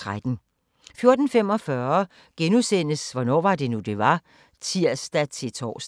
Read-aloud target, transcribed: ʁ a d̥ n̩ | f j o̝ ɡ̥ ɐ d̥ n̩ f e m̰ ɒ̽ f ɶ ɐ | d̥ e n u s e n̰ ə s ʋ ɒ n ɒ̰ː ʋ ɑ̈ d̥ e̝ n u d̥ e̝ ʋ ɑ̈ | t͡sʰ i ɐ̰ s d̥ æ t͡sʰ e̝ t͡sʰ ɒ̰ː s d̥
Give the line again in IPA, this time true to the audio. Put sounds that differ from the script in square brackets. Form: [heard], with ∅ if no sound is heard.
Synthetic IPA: ʁ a d̥ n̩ | f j o̝ [∅] ɐ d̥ n̩ f e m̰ ɒ̽ f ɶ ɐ | [ɡ̥] e n u s e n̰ ə s ʋ ɒ n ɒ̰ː ʋ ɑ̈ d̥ e̝ n u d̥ e̝ ʋ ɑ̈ | t͡sʰ i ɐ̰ s d̥ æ t͡sʰ e̝ t͡sʰ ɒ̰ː s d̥